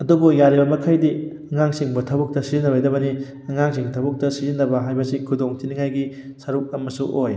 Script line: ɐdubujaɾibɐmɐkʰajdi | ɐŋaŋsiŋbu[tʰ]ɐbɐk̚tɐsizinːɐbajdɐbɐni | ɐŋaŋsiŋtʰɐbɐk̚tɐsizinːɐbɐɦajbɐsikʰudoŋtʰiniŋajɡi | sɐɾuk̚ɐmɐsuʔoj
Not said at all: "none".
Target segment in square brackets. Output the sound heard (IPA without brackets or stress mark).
tʰ